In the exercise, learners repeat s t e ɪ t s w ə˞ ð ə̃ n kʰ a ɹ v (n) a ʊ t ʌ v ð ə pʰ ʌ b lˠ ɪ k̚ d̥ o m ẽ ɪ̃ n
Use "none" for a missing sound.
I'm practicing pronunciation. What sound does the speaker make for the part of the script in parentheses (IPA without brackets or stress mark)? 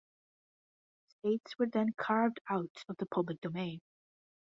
d